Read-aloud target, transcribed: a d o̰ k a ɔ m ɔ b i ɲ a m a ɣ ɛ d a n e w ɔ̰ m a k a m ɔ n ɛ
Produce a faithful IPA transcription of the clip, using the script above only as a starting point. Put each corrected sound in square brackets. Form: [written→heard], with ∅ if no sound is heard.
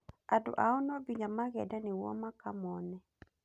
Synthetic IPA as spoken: a d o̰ [k→ʔ] a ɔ [m→n] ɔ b i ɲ a m a ɣ ɛ d a n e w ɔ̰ m a k a m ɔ n ɛ

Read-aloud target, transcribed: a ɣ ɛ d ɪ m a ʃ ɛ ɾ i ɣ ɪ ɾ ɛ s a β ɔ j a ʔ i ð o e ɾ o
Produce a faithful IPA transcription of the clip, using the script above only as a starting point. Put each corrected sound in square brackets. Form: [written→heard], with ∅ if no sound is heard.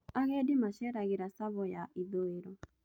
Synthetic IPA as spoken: a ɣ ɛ d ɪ m a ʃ ɛ ɾ [i→a] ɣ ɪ ɾ [ɛ→a] s a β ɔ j a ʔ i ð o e ɾ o

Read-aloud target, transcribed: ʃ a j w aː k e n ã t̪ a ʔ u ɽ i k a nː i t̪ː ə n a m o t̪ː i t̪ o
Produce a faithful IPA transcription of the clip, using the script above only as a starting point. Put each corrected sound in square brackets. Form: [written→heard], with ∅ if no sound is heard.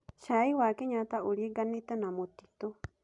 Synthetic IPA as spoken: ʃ a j w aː k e [n→ɲ] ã t̪ a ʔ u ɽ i [k→ɡ] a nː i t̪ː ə n a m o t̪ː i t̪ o

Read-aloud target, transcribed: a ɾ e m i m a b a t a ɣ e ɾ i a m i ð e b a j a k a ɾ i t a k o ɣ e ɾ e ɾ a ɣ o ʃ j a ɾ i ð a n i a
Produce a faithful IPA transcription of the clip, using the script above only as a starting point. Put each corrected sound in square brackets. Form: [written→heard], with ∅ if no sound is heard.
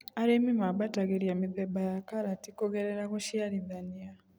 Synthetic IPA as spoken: a ɾ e m i m a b a t a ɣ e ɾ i a m i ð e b a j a k a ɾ [i→a] t [a→i] k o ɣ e ɾ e ɾ a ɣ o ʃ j a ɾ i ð a n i a

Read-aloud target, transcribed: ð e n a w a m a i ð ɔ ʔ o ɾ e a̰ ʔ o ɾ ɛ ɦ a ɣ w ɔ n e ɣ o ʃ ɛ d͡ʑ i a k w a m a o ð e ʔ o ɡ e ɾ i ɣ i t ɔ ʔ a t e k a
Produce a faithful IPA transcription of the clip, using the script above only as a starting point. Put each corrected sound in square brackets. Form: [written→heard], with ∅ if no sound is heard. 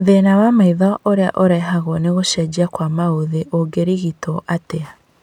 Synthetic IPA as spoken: ð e n a w a m a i ð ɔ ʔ o ɾ e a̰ ʔ o ɾ ɛ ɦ a ɣ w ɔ n e ɣ o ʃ ɛ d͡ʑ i a k w a m a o ð e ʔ o ɡ e ɾ i ɣ i t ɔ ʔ a t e [k→∅] a

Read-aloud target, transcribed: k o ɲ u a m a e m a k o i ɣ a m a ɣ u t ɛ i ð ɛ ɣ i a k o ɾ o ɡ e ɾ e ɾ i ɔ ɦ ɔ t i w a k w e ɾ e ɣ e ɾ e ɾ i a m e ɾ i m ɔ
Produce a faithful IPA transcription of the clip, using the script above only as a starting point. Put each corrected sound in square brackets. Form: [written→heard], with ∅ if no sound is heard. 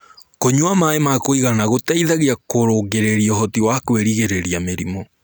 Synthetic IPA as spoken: k o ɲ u a m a e m a k o i ɣ a [m→n] a ɣ [u→o] t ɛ i ð [ɛ→a] ɣ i a k o ɾ o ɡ e ɾ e ɾ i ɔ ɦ ɔ t i w a k w e ɾ [e→i] ɣ e ɾ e ɾ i a m e ɾ i m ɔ

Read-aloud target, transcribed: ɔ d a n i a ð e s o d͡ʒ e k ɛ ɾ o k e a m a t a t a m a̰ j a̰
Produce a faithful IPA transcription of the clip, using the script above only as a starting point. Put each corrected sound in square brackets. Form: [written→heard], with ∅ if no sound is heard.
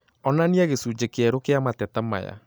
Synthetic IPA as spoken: ɔ [d→n] a n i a [ð→ɣ] e s [o→u] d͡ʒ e k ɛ ɾ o k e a m a t [a→ɛ] t a m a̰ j a̰

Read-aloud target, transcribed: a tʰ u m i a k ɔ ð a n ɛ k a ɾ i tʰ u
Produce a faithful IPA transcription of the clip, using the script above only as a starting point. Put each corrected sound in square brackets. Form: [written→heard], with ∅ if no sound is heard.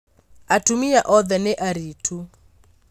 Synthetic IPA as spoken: a [tʰ→t] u m i a [k→ʔ] ɔ ð [a→ɛ] n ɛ [k→ʔ] a ɾ i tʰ u

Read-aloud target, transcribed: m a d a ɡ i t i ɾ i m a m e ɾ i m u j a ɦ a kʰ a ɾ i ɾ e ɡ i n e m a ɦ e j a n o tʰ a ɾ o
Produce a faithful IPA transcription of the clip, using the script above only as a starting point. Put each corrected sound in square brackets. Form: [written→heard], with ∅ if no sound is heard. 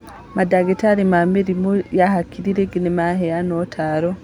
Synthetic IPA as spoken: m a d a ɡ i t [i→a] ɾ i m a m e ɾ i m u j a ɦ a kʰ [a→i] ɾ i ɾ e ɡ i n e m a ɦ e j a n o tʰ a ɾ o

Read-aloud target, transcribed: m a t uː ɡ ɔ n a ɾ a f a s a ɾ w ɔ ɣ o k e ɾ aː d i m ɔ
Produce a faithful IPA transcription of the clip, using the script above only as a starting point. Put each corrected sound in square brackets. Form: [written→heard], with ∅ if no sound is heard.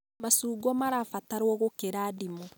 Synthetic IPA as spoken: m a [t→s] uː ɡ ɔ [n→m] a ɾ a f a [s→t] a ɾ w ɔ ɣ o k e ɾ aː d i m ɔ

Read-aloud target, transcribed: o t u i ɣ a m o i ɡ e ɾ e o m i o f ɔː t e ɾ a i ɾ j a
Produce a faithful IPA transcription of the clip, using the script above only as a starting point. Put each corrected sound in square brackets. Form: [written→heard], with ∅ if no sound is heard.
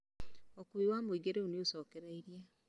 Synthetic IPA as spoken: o [t→k] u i [ɣ→w] a m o i ɡ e ɾ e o [m→n] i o [f→s] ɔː [t→k] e ɾ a i ɾ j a

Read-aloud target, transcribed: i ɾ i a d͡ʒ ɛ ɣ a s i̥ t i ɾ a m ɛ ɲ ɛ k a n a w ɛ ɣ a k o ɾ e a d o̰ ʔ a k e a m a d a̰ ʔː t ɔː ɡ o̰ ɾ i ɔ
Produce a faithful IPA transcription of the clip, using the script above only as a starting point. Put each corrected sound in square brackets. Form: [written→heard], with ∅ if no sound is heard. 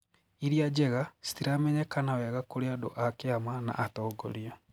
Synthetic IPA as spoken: i ɾ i a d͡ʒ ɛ ɣ a s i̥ t i ɾ a m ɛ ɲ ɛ k a n a w ɛ ɣ a k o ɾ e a d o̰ ʔ a k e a m a [d→n] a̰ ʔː t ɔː ɡ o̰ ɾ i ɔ

